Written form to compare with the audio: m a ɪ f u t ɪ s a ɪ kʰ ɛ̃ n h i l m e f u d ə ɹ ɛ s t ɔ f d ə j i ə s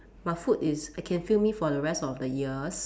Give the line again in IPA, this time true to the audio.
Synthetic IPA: m a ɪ f u t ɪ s a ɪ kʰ ɛ̃ n f i l m i f ɔ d ə ɹ ɛ s t ɔ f d ə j i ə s

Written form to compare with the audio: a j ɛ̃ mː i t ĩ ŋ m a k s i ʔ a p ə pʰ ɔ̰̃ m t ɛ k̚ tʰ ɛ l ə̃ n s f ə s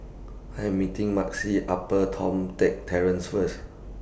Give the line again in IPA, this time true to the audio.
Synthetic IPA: a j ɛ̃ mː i t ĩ ŋ m a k s i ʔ a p ə tʰ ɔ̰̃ m t ɛ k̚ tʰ ɛ ɹ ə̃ n s f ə s

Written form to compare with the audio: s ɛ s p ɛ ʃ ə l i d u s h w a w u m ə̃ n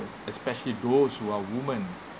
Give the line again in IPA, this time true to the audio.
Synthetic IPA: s ɛ s p ɛ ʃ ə l i d o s h u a w u m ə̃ n

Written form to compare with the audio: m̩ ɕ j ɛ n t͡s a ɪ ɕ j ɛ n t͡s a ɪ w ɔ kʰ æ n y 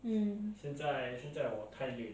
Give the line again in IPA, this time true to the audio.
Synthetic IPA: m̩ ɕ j ɛ n t͡s a ɪ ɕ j ɛ n t͡s a ɪ w ɔ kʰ a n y

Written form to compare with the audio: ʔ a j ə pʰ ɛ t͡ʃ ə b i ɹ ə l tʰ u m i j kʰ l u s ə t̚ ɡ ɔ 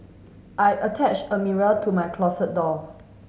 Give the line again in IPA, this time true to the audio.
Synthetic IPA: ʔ a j ə tʰ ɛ t͡ʃ ə m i ɹ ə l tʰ u m a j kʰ l ɔ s ə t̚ d ɔ

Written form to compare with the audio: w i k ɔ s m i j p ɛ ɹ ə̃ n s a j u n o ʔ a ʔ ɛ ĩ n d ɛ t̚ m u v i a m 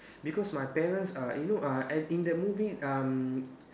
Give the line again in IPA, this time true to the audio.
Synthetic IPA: b i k ɔ s m a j p ɛ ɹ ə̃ n s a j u n o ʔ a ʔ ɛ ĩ n d ɛ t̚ m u v i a m

